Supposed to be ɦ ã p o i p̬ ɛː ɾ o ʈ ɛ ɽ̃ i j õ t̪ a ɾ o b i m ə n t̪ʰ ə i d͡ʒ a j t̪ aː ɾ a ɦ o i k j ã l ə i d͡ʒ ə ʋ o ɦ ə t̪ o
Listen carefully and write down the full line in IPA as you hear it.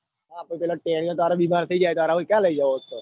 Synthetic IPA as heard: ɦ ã p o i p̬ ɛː l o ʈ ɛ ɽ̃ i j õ t̪ a ɾ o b i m a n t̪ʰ ə i d͡ʒ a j t̪ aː ɾ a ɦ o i k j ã l ə i d͡ʒ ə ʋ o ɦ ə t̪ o